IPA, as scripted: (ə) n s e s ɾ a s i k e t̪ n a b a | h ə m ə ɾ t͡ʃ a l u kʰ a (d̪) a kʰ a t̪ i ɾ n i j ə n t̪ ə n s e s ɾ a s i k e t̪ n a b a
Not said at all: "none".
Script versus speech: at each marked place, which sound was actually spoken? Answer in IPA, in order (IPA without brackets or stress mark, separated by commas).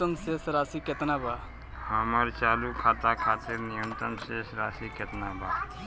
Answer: ə, t̪